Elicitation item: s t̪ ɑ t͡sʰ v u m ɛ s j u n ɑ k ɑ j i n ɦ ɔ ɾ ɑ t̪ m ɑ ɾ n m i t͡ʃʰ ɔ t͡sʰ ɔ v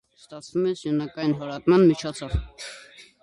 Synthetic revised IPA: s t̪ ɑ t͡sʰ v u m ɛ s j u n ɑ k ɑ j i n ɦ ɔ ɾ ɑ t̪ m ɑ n m i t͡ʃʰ ɔ t͡sʰ ɔ v